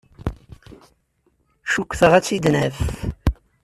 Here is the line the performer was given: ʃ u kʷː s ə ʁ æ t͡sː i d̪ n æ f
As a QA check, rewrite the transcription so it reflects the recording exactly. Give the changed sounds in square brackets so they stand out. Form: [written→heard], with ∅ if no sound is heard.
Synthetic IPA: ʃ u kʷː [s→θ] ə ʁ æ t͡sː i d̪ n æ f